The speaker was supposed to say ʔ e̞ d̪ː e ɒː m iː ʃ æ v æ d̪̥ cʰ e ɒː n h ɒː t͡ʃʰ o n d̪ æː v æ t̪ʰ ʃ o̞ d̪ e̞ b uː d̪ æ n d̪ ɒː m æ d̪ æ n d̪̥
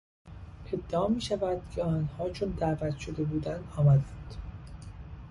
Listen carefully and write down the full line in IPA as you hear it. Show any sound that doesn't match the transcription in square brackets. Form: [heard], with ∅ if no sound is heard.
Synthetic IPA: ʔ e̞ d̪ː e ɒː m iː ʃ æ v æ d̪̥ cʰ e ɒː n h ɒː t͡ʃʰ o n d̪ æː v æ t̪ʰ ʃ o̞ d̪ e̞ b uː d̪ æ n d̪ ɒː m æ d̪ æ n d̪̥